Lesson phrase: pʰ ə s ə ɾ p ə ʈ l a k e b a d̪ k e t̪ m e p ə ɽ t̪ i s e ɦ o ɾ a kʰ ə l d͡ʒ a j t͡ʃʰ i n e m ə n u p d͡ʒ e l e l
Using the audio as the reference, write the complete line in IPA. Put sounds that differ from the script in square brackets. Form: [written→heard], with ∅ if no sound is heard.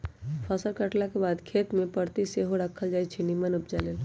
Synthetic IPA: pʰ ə s ə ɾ [p→k] ə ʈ l a k e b a d̪ [k→kʰ] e t̪ m e p ə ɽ t̪ i s e ɦ o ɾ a kʰ ə l d͡ʒ a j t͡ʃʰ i n [e→i] m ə n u p d͡ʒ [e→a] l e l